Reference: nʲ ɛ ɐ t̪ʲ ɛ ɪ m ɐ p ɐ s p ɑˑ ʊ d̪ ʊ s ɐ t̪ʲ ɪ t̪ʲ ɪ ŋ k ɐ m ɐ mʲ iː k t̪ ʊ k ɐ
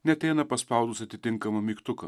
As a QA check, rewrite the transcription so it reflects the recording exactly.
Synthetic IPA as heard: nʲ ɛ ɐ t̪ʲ ɛ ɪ n ɐ p ɐ s p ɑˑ ʊ d̪ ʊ s ɐ t̪ʲ ɪ t̪ʲ ɪ ŋ k ɐ m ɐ mʲ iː k t̪ ʊ k ɐ